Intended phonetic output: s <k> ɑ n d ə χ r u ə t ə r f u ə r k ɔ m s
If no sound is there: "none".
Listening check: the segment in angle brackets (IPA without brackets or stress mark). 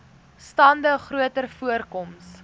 t